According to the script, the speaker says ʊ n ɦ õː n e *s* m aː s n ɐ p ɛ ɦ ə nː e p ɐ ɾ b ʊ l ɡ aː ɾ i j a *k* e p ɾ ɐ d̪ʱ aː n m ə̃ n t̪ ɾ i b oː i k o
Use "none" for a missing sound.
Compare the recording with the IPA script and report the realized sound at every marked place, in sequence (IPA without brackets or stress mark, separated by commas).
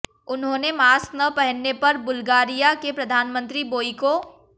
none, k